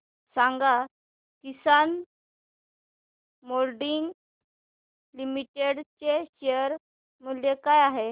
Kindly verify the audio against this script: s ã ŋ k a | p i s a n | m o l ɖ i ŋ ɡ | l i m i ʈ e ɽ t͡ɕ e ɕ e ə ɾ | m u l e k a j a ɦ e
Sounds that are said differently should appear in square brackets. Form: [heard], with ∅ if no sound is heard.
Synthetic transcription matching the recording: s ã ŋ [ɡ] a | [k] i s a n | m o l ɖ i ŋ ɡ | l i m i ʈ e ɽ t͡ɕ e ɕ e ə ɾ | m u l e k a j a ɦ e